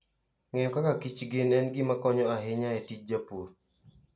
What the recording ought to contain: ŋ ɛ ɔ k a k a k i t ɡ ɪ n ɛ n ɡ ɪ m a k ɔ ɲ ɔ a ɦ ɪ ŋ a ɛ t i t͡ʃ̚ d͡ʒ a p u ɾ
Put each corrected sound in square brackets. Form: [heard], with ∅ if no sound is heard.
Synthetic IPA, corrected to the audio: ŋ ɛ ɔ k a k a k i [t͡ʃ] ɡ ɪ n ɛ n ɡ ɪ m a k ɔ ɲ ɔ a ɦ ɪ [ɲ] a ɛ t i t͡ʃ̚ d͡ʒ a p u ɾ